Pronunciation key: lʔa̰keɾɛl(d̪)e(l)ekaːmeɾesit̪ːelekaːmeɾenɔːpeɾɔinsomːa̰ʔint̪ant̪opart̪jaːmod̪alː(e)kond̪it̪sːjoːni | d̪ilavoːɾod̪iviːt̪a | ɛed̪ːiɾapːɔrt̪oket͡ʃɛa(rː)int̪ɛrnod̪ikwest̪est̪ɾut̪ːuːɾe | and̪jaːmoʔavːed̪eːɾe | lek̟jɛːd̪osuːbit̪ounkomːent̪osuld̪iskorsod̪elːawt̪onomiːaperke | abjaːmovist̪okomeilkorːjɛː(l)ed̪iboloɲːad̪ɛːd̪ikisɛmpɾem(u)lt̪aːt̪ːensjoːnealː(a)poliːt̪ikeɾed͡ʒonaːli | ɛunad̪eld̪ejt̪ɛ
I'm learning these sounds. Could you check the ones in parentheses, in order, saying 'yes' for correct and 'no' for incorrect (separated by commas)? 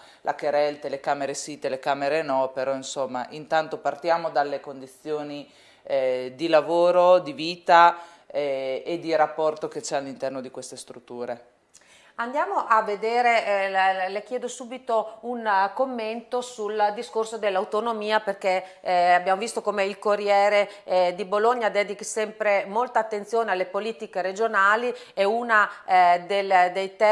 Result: no, yes, yes, no, no, no, no